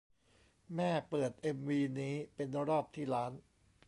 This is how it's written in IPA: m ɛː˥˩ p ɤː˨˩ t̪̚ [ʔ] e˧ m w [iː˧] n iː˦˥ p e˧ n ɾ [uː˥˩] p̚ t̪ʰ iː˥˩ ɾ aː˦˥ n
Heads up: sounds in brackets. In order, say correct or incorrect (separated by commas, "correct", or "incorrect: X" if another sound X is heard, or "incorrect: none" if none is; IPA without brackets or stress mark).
correct, correct, incorrect: ɔː˥˩